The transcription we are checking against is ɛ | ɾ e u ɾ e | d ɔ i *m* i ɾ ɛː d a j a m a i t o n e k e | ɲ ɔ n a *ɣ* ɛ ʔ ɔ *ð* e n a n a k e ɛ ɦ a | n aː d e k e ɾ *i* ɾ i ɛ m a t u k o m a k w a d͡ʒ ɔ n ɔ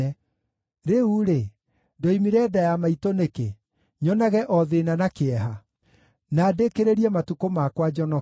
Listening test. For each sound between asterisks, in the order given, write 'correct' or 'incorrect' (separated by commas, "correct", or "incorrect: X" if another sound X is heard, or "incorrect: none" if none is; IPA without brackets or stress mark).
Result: correct, correct, correct, incorrect: e